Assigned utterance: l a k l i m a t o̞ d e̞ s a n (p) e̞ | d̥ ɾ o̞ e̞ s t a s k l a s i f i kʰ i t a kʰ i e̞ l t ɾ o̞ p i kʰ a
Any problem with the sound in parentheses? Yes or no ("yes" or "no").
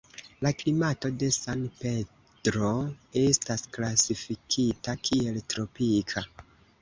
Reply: no